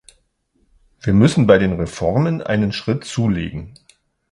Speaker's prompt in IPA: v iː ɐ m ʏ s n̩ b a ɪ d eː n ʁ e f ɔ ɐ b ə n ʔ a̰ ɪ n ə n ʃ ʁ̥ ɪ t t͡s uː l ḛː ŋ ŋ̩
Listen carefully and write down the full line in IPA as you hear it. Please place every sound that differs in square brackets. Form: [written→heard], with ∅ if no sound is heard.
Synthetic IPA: v iː ɐ m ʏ s n̩ b a ɪ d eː n ʁ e f ɔ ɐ [b→m] ə n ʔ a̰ ɪ n ə n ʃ ʁ̥ ɪ t t͡s uː l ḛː [ŋ→ɡ] ŋ̩

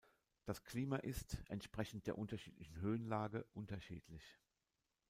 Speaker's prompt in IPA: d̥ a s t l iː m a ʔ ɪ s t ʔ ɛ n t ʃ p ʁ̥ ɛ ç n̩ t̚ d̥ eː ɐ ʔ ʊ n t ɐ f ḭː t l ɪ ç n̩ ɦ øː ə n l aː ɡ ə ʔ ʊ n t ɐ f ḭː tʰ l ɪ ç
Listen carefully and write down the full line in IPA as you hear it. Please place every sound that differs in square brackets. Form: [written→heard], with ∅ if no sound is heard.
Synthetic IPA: d̥ a s [t→k] l iː m a ʔ ɪ s t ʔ ɛ n t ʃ p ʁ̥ ɛ ç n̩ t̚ d̥ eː ɐ ʔ ʊ n t ɐ [f→ʃ] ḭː t l ɪ ç n̩ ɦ øː ə n l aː ɡ ə ʔ ʊ n t ɐ [f→ʃ] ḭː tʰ l ɪ ç

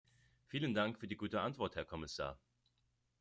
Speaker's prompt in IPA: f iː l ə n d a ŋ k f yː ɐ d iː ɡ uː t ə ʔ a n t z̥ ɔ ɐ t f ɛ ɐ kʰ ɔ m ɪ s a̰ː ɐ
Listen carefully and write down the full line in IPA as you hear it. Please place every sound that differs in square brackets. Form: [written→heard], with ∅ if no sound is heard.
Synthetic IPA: f iː l ə n d a ŋ k f yː ɐ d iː ɡ uː t ə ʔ a n t [z̥→v̥] ɔ ɐ t [f→h] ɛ ɐ kʰ ɔ m ɪ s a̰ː ɐ

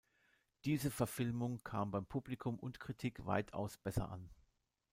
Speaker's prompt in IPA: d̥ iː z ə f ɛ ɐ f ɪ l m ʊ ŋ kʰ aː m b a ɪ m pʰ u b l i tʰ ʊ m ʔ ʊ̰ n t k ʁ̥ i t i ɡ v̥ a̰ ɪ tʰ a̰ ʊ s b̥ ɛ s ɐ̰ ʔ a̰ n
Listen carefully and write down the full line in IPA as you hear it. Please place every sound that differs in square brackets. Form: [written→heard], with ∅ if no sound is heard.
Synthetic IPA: d̥ iː z ə f ɛ ɐ f ɪ l m ʊ ŋ kʰ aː m b a ɪ m pʰ u b l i [tʰ→kʰ] ʊ m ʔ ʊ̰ n t k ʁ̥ i [t→tʰ] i [ɡ→k] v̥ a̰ ɪ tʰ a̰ ʊ s b̥ ɛ s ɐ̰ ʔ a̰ n

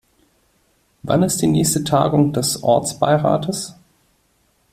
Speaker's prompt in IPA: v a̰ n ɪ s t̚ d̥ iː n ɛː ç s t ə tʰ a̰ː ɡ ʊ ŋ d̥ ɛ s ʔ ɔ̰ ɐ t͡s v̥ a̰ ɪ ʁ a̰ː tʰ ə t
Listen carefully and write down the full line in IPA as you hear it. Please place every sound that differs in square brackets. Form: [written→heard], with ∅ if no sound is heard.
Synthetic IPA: v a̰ n ɪ s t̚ d̥ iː n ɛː ç s t ə tʰ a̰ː ɡ ʊ ŋ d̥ ɛ s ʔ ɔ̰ ɐ t͡s [v̥→b̥] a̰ ɪ ʁ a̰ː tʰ ə [t→s]

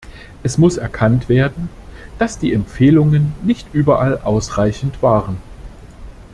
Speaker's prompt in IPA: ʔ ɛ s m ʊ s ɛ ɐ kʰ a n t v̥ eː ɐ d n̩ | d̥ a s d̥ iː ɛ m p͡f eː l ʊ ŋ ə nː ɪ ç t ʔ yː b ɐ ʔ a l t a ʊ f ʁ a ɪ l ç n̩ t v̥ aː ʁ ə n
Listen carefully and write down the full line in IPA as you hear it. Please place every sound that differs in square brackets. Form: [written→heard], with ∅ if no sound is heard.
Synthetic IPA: ʔ ɛ s m ʊ s ɛ ɐ kʰ a n t v̥ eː ɐ d n̩ | d̥ a s d̥ iː ɛ m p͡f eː l ʊ ŋ ə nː ɪ ç t ʔ yː b ɐ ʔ a l [t→ʔ] a ʊ [f→s] ʁ a ɪ [l→∅] ç n̩ t v̥ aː ʁ ə n

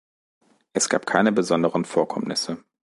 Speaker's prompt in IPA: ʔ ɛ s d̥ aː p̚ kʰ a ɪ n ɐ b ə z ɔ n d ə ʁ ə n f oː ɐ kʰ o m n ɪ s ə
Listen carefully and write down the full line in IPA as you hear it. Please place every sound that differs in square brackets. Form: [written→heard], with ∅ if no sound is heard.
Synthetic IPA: ʔ ɛ s [d̥→ɡ̥] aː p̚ kʰ a ɪ n [ɐ→ə] b ə z ɔ n d ə ʁ ə n f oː ɐ kʰ [o→ɔ] m n ɪ s ə

